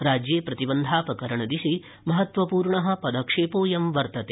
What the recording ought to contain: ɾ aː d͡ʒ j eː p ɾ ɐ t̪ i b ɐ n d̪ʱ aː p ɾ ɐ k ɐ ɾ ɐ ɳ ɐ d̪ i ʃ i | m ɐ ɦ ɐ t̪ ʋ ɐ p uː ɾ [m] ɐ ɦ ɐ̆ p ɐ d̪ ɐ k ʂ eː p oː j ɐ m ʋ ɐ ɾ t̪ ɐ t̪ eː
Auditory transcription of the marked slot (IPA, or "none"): ɳ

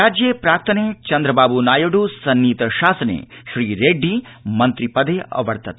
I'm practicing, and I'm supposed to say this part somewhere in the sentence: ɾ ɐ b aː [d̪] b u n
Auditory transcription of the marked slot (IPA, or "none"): none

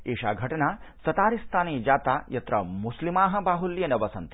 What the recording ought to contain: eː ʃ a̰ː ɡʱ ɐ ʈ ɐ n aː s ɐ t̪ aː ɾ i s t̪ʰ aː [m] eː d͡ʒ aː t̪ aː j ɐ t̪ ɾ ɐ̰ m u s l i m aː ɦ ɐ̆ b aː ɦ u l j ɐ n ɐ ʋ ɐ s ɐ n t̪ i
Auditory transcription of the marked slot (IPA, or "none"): n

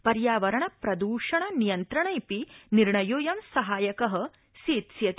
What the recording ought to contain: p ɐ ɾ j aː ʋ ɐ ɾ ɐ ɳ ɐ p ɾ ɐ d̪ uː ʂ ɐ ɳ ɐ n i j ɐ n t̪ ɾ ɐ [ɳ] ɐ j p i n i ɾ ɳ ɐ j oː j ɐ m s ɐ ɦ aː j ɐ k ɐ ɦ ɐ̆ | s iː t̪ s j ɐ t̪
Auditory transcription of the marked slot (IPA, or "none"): ɳ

